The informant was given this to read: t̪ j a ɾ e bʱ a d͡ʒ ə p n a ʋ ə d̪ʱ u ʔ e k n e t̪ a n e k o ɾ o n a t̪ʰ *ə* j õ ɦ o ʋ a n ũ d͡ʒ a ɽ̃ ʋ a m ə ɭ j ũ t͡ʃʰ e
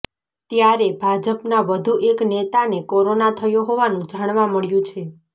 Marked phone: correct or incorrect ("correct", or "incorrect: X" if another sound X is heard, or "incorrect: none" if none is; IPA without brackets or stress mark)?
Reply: correct